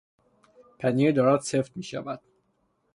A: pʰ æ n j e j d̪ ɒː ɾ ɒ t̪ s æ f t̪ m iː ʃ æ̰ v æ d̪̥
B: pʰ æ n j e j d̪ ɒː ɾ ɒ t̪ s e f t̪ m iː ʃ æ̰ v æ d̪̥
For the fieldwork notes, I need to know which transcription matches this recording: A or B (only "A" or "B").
B